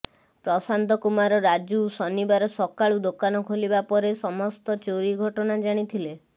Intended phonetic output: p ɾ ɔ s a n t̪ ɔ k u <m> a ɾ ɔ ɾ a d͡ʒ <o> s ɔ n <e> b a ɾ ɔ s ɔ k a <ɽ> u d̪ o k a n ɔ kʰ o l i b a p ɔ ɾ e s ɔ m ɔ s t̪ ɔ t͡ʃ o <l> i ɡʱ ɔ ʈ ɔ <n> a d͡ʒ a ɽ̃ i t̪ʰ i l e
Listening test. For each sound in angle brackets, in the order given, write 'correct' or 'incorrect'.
correct, incorrect: u, incorrect: i, incorrect: ɭ, incorrect: ɾ, correct

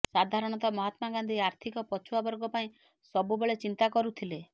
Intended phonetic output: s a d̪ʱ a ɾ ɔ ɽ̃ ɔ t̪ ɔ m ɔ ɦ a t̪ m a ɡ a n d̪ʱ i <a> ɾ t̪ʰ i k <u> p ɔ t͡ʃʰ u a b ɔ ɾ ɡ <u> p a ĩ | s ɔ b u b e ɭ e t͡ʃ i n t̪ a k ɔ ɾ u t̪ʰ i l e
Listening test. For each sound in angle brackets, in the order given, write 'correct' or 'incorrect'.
correct, incorrect: ɔ, incorrect: ɔ

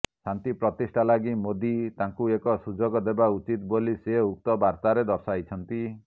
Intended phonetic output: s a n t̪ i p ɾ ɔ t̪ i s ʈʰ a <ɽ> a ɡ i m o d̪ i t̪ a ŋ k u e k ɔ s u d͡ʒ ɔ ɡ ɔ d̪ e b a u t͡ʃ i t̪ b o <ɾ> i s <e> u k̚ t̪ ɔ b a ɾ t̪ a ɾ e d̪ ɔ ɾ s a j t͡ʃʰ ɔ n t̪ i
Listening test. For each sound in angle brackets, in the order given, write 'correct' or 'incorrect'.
incorrect: l, incorrect: l, correct

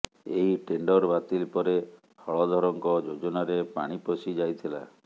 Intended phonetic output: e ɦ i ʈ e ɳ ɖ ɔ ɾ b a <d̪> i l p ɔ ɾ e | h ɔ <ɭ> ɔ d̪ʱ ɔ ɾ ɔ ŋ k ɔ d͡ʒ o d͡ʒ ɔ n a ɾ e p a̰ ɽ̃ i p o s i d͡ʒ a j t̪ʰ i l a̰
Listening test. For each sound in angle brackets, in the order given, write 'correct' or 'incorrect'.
incorrect: t̪, correct

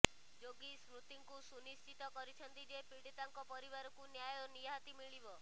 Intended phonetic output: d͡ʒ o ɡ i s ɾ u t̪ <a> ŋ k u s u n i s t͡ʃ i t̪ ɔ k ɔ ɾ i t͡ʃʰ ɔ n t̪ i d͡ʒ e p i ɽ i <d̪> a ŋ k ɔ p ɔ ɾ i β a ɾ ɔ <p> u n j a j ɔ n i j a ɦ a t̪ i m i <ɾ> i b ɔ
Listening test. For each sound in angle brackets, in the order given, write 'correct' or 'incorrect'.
incorrect: i, incorrect: t̪, incorrect: k, incorrect: ɭ

